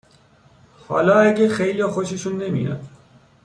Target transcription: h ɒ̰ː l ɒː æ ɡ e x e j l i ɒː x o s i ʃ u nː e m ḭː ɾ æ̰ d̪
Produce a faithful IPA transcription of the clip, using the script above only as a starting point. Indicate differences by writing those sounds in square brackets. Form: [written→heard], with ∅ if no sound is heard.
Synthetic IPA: h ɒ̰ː l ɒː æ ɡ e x e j l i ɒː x o [s→ʃ] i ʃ u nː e m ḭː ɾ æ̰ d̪